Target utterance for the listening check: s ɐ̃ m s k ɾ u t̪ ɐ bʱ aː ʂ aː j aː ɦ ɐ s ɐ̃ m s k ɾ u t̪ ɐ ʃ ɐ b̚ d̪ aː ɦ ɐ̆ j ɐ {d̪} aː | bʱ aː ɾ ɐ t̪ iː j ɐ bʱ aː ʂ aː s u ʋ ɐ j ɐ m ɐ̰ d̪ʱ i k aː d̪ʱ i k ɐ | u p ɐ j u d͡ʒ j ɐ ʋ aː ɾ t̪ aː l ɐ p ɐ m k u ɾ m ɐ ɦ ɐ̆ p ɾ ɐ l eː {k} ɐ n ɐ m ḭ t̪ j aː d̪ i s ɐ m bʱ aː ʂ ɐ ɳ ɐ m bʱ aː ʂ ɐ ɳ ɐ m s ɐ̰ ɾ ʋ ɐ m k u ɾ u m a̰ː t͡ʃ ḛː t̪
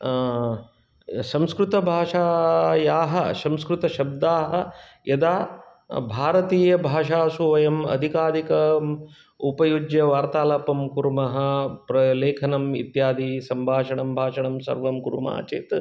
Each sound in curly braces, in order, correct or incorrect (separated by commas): correct, incorrect